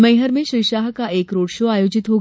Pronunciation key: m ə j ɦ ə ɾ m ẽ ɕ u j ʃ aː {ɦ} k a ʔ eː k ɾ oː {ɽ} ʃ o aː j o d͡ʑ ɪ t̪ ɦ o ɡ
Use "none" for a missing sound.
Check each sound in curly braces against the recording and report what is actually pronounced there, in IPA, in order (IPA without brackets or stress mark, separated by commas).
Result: ɦ, ɽ